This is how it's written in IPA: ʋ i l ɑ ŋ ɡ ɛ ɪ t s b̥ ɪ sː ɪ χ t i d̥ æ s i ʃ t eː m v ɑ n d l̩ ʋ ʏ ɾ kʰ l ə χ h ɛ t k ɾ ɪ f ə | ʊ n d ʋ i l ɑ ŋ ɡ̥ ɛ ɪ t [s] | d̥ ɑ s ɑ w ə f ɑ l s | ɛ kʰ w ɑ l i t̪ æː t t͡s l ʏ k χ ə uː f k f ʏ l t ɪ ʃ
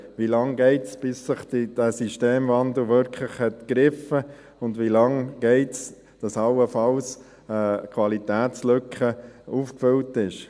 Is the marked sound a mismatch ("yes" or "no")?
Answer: no